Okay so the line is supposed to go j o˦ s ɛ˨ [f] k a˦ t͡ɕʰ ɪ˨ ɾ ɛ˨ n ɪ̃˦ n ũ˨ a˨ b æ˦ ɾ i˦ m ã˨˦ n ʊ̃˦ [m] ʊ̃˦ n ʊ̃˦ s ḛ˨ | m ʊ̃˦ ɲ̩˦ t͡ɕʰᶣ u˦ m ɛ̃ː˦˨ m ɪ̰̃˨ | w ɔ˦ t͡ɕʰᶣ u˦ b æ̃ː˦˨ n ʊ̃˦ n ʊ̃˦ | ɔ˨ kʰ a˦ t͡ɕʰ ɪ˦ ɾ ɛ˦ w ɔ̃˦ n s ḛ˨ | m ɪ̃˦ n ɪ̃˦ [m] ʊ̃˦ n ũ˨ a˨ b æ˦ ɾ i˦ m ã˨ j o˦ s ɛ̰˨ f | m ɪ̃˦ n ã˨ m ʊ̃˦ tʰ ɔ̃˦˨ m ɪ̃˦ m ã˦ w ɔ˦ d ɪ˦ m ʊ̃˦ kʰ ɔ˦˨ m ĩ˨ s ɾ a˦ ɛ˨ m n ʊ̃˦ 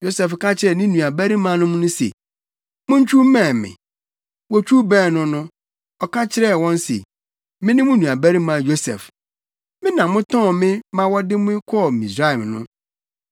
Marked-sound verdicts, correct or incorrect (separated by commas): correct, correct, correct